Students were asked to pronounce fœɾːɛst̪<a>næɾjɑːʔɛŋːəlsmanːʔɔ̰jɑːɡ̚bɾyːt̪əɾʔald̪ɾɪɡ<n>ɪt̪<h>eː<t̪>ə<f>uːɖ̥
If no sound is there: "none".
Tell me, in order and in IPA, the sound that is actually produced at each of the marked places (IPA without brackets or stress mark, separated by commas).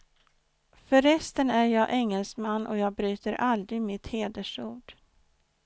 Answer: ə, m, h, d̪, ʂ